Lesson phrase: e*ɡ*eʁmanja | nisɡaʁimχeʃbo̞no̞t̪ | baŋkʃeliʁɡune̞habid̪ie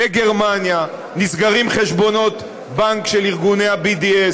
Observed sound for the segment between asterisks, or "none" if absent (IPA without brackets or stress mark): ɡ